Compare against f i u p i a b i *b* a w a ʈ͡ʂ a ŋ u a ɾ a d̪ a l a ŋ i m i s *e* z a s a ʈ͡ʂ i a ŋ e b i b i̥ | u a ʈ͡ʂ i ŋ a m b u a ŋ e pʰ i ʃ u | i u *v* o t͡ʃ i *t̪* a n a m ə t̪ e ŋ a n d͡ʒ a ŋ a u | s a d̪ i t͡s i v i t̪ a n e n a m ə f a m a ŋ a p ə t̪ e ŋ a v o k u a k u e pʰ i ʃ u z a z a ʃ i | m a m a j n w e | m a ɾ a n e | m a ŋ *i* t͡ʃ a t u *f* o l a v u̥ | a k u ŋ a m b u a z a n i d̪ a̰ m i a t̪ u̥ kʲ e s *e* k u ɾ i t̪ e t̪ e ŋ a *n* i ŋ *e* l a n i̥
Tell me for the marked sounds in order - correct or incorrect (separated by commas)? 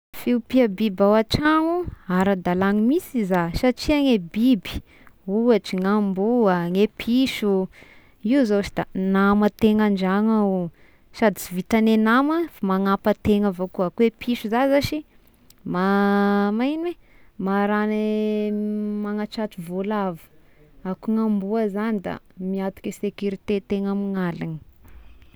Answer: correct, incorrect, incorrect, incorrect, incorrect, incorrect, correct, incorrect, incorrect